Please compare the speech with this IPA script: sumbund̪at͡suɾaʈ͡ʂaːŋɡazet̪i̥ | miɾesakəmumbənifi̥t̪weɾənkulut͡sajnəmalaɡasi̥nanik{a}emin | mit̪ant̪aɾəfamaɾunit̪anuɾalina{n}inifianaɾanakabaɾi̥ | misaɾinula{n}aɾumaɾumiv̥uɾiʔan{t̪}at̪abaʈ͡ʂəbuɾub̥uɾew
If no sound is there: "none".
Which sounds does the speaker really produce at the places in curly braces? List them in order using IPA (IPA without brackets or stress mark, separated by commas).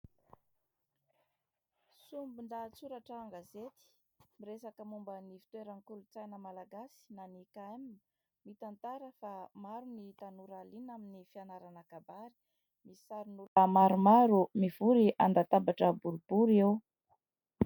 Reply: a, m, m, d̪